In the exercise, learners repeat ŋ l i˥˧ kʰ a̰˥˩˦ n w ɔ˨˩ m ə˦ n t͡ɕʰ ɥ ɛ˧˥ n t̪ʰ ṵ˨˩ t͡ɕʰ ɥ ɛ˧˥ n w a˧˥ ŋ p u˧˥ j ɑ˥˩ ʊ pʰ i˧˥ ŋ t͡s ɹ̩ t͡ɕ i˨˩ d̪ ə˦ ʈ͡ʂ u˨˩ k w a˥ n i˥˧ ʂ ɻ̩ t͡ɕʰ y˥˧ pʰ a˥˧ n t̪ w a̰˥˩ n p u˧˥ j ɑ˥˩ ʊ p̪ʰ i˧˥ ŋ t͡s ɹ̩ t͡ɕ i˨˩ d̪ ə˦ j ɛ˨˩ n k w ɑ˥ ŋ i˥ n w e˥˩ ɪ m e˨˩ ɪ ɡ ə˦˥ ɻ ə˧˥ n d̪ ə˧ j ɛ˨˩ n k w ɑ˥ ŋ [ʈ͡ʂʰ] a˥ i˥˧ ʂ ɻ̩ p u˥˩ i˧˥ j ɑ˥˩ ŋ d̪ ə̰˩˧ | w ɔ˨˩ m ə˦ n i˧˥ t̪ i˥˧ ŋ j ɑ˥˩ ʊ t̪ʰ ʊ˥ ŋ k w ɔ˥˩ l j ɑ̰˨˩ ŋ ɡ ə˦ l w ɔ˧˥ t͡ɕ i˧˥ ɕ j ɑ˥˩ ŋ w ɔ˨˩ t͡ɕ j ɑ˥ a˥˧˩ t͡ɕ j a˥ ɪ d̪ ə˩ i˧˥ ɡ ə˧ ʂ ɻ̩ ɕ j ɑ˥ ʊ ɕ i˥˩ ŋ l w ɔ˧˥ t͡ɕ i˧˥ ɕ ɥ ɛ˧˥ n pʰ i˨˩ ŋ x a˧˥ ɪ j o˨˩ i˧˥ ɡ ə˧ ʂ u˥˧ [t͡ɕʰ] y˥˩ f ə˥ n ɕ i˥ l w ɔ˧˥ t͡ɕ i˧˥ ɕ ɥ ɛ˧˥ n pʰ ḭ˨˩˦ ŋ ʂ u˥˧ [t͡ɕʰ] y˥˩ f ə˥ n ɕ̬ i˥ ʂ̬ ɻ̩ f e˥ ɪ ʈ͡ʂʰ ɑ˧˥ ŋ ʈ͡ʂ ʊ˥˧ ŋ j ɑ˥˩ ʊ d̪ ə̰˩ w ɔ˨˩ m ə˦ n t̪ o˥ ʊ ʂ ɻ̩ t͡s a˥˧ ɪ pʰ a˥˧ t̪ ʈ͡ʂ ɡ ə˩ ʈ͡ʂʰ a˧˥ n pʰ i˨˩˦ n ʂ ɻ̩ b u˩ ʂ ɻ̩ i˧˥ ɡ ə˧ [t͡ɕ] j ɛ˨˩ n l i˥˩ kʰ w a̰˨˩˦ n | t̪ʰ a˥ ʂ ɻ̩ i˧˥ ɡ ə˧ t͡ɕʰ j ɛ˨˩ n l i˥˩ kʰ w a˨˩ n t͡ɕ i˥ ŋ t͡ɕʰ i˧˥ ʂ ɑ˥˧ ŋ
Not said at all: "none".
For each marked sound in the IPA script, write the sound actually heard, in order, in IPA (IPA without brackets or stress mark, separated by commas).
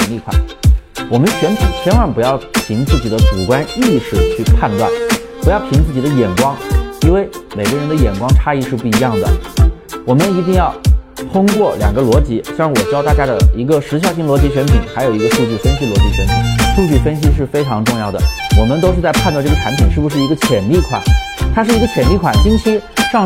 ʈ͡ʂʰ, t͡ɕ, t͡ɕ, t͡ɕʰ